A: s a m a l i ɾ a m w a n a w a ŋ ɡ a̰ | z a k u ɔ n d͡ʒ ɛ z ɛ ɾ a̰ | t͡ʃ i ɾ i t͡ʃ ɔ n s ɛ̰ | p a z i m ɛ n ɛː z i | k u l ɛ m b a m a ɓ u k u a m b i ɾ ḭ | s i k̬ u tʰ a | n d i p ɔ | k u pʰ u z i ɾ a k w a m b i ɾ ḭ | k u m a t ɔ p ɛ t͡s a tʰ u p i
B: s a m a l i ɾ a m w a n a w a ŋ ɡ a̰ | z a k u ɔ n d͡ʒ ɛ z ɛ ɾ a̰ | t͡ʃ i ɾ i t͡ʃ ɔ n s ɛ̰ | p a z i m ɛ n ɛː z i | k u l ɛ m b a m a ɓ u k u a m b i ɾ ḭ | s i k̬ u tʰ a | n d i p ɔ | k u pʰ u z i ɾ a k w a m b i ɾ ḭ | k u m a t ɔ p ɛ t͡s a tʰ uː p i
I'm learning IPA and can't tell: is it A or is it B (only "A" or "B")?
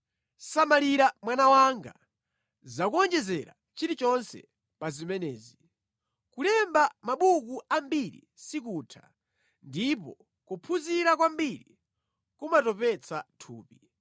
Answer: B